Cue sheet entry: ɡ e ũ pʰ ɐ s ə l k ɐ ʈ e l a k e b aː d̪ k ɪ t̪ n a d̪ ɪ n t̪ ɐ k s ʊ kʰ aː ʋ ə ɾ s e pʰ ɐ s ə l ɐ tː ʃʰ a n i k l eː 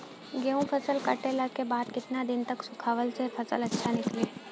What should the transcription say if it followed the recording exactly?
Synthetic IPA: ɡ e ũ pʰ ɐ s ə l k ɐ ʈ e l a k e b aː d̪ k ɪ t̪ n a d̪ ɪ n t̪ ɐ k s ʊ kʰ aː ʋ ə l s e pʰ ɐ s ə l ɐ tː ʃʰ a n ɪ k l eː